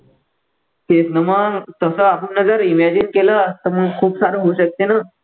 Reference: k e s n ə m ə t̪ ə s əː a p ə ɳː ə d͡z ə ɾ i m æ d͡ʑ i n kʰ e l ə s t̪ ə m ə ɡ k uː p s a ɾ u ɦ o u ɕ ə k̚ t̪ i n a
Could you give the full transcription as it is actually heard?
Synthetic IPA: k e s n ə m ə t̪ ə s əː a p ə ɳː ə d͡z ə ɾ i m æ d͡ʑ i n k e l ə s t̪ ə m ə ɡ kʰ uː p s a ɾ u ɦ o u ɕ ə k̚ t̪ e n a